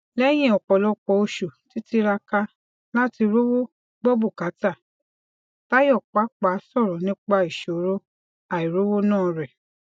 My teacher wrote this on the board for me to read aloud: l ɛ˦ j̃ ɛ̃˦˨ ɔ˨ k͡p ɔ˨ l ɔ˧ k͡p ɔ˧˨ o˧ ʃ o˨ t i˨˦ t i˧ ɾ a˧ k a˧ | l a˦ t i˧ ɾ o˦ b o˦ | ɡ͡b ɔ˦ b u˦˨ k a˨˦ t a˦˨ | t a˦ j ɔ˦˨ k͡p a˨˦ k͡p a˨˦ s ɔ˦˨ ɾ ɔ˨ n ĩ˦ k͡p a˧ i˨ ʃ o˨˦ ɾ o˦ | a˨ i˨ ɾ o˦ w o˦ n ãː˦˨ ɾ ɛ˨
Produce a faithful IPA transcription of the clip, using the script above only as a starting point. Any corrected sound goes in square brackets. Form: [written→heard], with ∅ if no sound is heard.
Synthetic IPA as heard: l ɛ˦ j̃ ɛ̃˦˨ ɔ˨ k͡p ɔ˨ l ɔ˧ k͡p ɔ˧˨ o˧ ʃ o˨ t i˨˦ t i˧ ɾ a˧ k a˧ | l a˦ t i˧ ɾ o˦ [b→w] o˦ | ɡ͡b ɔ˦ b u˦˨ k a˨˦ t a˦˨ | t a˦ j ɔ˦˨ k͡p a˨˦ k͡p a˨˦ s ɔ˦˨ ɾ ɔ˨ n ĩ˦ k͡p a˧ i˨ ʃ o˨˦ ɾ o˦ | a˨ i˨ ɾ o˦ w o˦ n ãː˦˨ ɾ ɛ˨